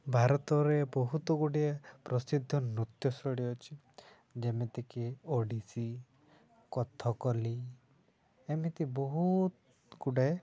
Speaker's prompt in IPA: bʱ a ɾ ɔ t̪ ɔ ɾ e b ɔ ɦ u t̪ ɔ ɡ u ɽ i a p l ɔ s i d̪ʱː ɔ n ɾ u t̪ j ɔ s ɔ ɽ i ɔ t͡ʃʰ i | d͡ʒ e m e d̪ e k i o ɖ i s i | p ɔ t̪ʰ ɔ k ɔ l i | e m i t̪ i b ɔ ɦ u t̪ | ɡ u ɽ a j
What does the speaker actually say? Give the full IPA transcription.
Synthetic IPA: bʱ a ɾ ɔ t̪ ɔ ɾ e b ɔ ɦ u t̪ ɔ ɡ u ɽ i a p ɾ ɔ s i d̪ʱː ɔ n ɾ u t̪ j ɔ s ɔ ɽ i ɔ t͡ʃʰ i | d͡ʒ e m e t̪ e k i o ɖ i s i | k ɔ t̪ʰ ɔ k ɔ l i | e m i t̪ i b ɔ ɦ u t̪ | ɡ u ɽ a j